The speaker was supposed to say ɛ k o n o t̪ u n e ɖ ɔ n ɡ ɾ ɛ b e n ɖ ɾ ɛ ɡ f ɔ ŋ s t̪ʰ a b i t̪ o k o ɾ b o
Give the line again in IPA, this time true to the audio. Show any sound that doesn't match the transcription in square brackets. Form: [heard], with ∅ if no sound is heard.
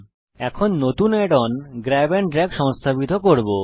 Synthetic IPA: ɛ [kʰ] o [nː] o t̪ u n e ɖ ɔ n ɡ ɾ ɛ b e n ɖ ɾ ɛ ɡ [ʃ] ɔ ŋ s t̪ʰ a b i t̪ o k o ɾ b o